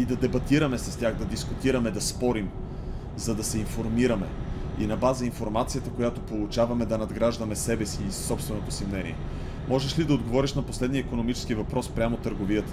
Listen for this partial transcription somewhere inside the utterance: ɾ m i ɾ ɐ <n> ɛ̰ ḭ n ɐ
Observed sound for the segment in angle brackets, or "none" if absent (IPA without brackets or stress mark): m